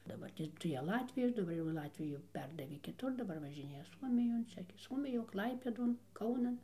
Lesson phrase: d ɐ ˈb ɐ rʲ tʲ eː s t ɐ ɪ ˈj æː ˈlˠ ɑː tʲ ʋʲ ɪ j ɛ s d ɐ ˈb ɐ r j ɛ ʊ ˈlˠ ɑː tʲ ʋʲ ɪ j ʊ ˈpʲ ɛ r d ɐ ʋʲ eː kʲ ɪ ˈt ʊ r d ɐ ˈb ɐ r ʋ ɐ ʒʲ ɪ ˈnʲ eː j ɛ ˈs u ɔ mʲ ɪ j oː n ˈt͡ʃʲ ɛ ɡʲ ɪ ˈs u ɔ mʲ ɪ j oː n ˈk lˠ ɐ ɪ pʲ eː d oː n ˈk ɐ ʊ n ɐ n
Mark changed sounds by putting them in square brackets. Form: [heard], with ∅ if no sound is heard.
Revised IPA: d ɐ ˈb ɐ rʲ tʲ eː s t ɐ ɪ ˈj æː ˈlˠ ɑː tʲ ʋʲ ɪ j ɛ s d ɐ ˈb ɐ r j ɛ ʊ ˈlˠ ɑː tʲ ʋʲ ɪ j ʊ ˈpʲ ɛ r d ɐ ʋʲ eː kʲ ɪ ˈt ʊ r d ɐ ˈb ɐ r ʋ ɐ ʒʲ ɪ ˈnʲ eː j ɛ ˈs u ɔ mʲ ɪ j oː n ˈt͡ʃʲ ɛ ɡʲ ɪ ˈs u ɔ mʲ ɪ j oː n ˈk lˠ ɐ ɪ pʲ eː d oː n ˈk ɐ ʊ n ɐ n

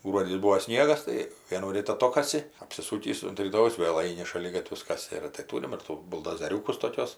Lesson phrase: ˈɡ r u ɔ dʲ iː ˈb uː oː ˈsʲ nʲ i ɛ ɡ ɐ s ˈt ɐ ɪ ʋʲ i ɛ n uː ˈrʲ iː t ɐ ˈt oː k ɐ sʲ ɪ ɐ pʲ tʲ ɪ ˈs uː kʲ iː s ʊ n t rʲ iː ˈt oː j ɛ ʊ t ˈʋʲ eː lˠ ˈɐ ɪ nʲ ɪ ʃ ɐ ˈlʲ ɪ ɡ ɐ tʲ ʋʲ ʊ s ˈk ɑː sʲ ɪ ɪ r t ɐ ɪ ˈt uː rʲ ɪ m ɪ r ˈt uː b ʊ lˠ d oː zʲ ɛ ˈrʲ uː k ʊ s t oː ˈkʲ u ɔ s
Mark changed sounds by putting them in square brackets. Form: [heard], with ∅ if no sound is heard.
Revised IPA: ˈɡ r u ɔ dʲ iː ˈb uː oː ˈsʲ nʲ i ɛ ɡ ɐ s ˈt ɐ ɪ ʋʲ i ɛ n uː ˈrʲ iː t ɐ ˈt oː k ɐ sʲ ɪ ɐ pʲ [sʲ] ɪ ˈs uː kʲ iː s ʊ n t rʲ iː ˈt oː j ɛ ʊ [s] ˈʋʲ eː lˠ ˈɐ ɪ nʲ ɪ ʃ ɐ ˈlʲ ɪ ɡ ɐ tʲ ʋʲ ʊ s ˈk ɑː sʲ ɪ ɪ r t ɐ ɪ ˈt uː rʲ ɪ m ɪ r ˈt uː b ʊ lˠ d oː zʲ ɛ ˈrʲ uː k ʊ s t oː ˈkʲ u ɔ s

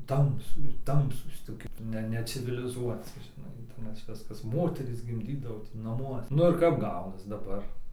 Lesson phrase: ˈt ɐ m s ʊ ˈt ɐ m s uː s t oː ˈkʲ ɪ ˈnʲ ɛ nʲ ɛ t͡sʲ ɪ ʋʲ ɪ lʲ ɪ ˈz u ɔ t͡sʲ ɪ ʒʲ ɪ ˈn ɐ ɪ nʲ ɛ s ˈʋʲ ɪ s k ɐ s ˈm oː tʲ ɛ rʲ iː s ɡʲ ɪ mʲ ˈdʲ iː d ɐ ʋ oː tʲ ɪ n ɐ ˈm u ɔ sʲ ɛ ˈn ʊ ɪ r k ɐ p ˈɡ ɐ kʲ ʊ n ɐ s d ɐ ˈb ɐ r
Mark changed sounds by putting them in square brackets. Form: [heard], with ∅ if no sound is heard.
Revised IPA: ˈt ɐ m s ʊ ˈt ɐ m s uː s t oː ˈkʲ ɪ ˈnʲ ɛ nʲ ɛ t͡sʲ ɪ ʋʲ ɪ lʲ ɪ ˈz u ɔ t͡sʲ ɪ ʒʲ ɪ ˈn ɐ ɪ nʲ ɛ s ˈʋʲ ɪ s k ɐ s ˈm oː tʲ ɛ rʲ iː s ɡʲ ɪ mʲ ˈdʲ iː d ɐ ʋ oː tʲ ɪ n ɐ ˈm u ɔ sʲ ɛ ˈn ʊ ɪ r k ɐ p ˈɡ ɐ [∅] ʊ n ɐ s d ɐ ˈb ɐ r

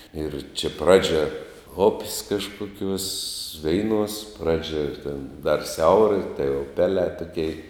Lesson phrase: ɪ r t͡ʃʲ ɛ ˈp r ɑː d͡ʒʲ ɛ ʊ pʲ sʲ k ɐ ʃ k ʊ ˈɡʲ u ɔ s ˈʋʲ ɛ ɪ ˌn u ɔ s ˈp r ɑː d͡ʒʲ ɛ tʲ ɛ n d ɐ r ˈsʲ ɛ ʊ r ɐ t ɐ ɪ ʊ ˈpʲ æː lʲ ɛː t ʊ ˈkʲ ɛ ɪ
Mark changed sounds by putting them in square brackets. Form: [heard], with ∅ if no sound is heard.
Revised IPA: ɪ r t͡ʃʲ ɛ ˈp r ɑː d͡ʒʲ ɛ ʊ pʲ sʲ k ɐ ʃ k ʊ [ˈkʲ] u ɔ s ˈʋʲ ɛ ɪ ˌn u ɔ s ˈp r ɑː d͡ʒʲ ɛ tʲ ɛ n d ɐ r ˈsʲ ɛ ʊ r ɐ t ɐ ɪ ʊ ˈpʲ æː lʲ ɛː t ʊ ˈkʲ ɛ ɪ

